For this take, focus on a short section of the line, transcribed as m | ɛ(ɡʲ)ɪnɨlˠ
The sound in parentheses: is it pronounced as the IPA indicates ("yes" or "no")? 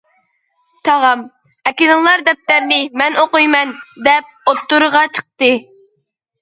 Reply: no